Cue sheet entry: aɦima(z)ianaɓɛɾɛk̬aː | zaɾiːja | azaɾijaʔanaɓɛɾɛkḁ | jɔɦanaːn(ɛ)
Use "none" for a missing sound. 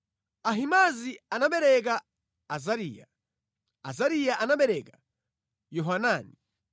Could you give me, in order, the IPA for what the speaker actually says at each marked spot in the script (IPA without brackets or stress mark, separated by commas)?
z, i